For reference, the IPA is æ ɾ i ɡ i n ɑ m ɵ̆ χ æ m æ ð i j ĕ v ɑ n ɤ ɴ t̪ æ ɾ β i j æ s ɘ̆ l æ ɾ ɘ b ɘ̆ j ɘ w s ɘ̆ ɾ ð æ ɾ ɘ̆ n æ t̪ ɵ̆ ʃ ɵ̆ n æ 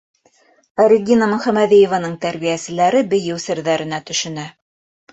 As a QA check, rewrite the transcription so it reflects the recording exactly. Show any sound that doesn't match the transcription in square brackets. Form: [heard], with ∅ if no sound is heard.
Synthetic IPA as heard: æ ɾ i ɡ i n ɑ m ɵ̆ χ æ m æ ð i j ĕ v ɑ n ɤ ɴ t̪ æ ɾ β i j æ s ɘ̆ l æ ɾ ɘ b ɘ̆ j ɘ w s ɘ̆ ɾ ð æ ɾ ɘ̆ n æ t̪ ɵ̆ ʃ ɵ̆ n æ